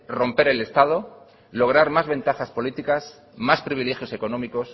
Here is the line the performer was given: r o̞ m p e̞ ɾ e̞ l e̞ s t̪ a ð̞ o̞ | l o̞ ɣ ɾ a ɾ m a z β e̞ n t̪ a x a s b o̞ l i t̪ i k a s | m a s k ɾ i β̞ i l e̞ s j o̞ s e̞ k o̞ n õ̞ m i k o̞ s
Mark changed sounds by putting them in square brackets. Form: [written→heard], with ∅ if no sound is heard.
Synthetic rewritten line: r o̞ m p e̞ ɾ e̞ l e̞ s t̪ a ð̞ o̞ | l o̞ ɣ ɾ a ɾ m a z β e̞ n t̪ a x a s [b→p] o̞ l i t̪ i k a s | m a s [k→p] ɾ i β̞ i l e̞ [s→x] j o̞ s e̞ k o̞ n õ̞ m i k o̞ s